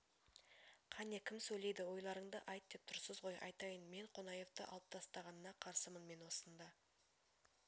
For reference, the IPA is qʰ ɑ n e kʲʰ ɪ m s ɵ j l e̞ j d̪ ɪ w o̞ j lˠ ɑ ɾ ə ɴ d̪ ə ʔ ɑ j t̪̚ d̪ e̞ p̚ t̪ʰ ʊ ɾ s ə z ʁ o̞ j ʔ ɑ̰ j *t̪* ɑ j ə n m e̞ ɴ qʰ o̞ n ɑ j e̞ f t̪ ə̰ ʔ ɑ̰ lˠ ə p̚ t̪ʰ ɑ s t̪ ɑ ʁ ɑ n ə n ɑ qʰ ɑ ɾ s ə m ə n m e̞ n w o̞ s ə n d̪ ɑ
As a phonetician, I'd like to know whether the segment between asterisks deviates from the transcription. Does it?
no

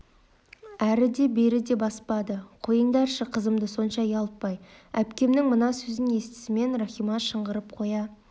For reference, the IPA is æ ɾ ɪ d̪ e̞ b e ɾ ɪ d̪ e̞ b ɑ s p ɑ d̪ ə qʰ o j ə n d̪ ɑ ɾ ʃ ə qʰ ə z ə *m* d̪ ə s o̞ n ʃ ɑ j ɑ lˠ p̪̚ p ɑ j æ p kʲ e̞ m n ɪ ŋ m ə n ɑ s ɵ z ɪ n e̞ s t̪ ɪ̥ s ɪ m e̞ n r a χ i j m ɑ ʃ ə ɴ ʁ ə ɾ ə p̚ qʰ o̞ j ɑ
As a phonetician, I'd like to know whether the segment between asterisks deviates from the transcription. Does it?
no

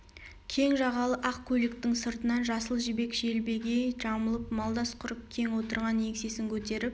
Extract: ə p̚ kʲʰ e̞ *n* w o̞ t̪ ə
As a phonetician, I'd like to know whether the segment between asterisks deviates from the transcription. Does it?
yes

